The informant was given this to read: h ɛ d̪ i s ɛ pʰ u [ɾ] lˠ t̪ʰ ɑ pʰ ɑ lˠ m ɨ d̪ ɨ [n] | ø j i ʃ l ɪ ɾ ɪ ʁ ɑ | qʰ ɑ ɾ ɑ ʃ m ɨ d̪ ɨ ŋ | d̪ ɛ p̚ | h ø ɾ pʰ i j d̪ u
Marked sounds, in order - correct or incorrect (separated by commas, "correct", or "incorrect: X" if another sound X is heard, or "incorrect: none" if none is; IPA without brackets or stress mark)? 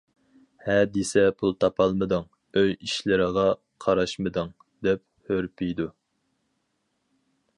incorrect: none, incorrect: ŋ